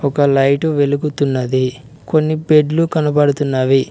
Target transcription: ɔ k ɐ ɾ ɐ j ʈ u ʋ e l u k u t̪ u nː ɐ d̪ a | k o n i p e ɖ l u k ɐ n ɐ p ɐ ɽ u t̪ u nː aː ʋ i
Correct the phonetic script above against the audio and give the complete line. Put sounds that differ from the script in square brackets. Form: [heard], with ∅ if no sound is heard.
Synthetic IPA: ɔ k ɐ [l] ɐ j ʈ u ʋ e l u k u t̪ u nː ɐ d̪ [i] | k o [nː] i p e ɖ l u k ɐ n ɐ p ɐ ɽ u t̪ u nː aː ʋ i